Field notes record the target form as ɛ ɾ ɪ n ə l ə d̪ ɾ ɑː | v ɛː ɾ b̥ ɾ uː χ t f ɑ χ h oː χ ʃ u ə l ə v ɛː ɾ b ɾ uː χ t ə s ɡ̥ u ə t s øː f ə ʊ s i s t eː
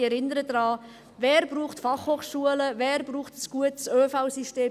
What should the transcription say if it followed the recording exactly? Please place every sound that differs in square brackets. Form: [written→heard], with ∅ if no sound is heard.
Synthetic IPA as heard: ɛ ɾ ɪ n ə [l→ɾ] ə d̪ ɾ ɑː | v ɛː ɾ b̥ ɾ uː χ t f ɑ χ h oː χ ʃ u ə l ə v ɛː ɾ b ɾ uː χ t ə s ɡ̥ u ə t s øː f [ə→a] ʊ s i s t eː